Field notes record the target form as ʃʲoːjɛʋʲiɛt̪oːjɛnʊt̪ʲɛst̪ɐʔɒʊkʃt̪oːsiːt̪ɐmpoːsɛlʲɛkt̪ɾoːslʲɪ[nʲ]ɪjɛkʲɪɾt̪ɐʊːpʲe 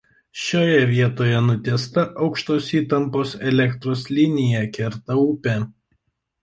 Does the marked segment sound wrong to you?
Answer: no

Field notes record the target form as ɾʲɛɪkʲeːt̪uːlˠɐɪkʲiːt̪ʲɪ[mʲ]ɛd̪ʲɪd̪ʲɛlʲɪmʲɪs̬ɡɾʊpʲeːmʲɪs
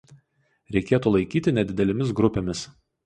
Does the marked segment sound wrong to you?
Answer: yes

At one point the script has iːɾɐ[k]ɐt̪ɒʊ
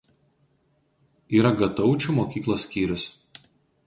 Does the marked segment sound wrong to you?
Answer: yes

